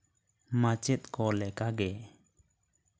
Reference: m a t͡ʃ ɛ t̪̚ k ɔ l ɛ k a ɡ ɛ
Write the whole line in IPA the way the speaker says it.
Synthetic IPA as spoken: m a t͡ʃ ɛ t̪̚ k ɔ l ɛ k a ɡ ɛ